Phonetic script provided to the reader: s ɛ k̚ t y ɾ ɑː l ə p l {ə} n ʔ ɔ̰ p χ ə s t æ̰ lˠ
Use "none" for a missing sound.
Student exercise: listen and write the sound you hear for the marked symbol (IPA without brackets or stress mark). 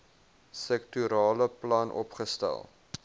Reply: ɐ